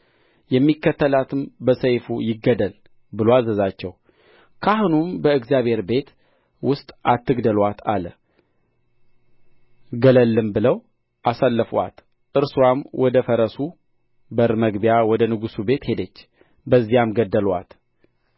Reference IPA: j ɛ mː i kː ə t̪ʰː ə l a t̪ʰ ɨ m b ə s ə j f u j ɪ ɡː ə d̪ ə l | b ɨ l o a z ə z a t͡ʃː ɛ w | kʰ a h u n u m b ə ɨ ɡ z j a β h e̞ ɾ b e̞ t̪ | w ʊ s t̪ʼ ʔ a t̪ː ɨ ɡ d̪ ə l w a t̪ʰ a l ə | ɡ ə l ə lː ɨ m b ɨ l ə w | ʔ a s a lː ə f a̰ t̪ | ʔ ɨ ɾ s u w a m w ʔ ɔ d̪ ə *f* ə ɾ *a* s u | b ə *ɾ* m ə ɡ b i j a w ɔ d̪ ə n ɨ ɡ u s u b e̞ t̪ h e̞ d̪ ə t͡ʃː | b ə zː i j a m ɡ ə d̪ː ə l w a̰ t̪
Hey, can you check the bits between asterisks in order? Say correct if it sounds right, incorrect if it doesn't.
correct, incorrect, correct

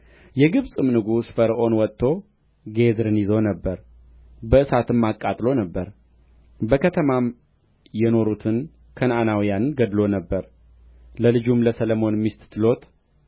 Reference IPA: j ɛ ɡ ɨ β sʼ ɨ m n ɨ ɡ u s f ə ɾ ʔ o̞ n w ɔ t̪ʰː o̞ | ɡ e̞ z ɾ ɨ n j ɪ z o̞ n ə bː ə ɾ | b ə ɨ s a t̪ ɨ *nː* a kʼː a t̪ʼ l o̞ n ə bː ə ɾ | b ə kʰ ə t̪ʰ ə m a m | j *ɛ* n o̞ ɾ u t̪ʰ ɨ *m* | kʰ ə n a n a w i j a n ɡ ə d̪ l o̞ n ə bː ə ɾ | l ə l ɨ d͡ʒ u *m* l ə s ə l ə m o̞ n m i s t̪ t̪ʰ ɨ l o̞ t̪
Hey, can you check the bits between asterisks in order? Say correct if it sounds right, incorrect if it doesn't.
incorrect, correct, incorrect, correct

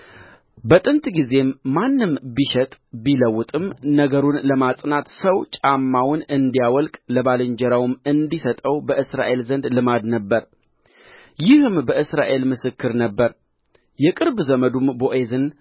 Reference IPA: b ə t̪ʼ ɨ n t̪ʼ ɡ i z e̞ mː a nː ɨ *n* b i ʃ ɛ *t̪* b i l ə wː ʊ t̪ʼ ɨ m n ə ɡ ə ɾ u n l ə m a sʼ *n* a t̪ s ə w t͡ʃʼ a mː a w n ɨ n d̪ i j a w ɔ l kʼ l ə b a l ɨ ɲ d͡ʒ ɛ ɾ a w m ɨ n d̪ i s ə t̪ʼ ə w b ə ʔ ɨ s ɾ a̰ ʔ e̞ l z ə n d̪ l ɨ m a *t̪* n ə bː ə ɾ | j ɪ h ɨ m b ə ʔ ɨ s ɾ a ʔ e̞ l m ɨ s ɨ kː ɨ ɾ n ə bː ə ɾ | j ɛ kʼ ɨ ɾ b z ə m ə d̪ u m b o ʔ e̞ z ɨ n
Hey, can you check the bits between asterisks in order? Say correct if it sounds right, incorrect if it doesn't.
incorrect, incorrect, correct, incorrect

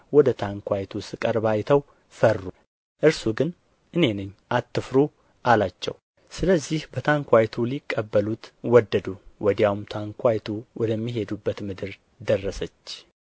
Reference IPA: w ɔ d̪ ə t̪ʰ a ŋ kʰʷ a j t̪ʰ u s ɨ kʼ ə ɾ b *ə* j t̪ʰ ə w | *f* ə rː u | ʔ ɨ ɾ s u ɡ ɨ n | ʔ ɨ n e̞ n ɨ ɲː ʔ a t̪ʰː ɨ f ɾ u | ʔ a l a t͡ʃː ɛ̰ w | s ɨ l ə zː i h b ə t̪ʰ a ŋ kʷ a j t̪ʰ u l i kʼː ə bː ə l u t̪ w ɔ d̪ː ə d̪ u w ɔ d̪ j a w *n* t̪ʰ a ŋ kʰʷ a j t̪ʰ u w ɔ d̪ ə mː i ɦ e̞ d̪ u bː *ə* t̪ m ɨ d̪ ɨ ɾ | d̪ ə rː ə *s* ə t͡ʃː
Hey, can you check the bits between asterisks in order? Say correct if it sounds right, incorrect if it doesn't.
incorrect, correct, incorrect, correct, correct

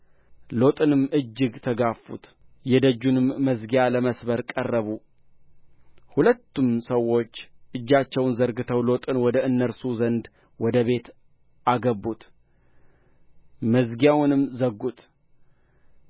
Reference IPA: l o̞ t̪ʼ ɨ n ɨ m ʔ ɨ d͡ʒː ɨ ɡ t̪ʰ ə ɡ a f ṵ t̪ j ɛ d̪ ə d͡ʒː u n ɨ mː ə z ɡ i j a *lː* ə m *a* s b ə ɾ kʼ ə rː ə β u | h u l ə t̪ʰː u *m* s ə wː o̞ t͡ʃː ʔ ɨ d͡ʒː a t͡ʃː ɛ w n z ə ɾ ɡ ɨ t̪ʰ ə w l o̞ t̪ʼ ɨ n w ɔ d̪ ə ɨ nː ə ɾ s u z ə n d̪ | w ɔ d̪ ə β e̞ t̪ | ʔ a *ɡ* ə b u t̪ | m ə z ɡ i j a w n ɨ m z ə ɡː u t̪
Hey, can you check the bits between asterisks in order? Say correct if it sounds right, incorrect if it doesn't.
incorrect, incorrect, correct, correct

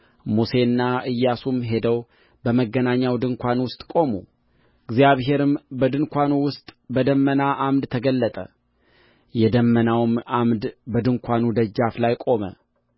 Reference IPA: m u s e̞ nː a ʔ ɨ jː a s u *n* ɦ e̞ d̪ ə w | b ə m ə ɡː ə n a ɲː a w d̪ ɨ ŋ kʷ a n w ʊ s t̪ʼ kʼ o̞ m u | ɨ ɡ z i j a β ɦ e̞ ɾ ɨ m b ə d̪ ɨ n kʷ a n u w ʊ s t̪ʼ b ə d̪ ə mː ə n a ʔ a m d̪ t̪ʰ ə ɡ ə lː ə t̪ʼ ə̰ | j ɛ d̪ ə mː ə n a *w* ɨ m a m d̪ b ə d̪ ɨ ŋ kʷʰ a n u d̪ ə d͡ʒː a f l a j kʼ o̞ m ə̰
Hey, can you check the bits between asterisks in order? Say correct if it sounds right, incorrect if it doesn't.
incorrect, correct

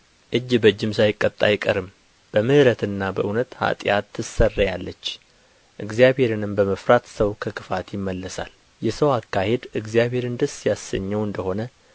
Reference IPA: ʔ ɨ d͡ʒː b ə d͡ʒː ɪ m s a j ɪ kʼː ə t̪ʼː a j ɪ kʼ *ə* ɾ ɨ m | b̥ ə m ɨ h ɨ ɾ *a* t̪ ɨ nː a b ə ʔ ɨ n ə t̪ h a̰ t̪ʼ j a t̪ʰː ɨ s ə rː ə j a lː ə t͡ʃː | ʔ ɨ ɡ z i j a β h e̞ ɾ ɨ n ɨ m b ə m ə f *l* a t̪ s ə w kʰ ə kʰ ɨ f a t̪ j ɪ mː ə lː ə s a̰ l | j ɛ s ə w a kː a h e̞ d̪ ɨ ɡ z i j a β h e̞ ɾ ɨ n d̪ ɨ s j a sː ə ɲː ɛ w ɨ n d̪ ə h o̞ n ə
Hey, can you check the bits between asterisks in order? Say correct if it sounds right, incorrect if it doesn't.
correct, incorrect, incorrect

